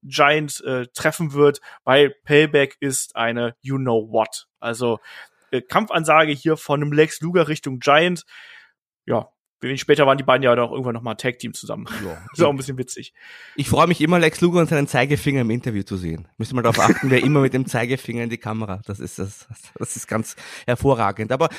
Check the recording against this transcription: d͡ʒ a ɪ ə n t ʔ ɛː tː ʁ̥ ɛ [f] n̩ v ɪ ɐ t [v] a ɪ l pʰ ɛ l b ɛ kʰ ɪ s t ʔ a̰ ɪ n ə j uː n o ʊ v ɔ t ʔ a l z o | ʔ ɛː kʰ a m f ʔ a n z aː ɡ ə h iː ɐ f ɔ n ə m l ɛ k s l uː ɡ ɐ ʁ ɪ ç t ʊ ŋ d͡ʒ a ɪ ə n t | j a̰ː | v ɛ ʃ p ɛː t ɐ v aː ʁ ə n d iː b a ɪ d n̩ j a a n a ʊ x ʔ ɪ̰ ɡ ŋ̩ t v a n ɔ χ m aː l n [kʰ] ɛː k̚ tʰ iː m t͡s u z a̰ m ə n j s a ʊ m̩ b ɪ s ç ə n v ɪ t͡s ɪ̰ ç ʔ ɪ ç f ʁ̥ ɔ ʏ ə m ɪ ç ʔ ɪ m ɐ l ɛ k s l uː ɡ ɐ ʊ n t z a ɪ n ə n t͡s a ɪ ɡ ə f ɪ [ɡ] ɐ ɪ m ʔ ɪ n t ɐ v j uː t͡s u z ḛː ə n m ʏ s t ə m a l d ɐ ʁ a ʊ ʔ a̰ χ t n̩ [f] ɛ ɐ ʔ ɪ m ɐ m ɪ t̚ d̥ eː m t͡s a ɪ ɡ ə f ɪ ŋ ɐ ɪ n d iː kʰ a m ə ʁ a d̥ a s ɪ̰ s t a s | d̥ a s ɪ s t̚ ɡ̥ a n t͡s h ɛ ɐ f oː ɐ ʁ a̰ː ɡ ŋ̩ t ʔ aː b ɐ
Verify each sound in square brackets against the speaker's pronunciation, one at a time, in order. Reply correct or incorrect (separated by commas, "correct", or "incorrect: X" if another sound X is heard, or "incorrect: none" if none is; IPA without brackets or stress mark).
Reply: correct, correct, incorrect: tʰ, incorrect: ŋ, incorrect: v